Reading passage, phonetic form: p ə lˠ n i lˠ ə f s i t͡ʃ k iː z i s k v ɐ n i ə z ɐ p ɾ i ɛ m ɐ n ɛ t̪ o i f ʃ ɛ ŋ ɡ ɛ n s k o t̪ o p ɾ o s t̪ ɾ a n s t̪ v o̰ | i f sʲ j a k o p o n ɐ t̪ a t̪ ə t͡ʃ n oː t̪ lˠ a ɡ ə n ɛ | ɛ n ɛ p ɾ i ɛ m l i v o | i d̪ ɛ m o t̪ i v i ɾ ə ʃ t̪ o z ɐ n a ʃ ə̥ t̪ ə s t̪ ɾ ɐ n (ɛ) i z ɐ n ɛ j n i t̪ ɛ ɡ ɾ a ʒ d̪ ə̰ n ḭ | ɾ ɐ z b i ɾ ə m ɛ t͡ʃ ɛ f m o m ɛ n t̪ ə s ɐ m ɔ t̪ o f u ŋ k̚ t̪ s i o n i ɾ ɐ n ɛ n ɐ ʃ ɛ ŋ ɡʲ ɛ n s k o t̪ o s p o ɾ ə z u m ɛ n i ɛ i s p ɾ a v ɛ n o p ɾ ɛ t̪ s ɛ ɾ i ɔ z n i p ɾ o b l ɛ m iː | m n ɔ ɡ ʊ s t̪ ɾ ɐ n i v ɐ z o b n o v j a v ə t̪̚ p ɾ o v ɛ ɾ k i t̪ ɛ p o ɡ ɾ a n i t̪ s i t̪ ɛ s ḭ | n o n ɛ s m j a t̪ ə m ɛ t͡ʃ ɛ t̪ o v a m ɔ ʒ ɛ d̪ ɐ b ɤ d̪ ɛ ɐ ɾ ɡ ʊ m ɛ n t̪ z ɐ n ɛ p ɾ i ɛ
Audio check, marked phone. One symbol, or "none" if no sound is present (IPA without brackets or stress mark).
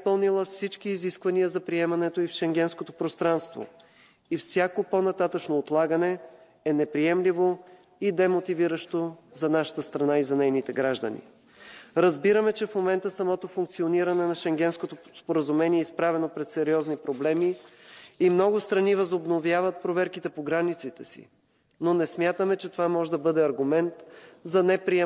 a